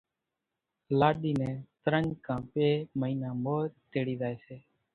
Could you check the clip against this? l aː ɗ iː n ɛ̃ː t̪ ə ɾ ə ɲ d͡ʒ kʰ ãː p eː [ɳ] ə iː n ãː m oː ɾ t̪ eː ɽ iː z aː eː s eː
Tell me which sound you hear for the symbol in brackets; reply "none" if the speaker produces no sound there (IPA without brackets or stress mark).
m